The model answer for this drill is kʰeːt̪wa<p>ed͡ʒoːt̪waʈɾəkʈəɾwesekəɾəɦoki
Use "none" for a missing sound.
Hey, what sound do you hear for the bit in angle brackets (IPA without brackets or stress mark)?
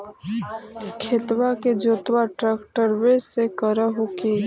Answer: k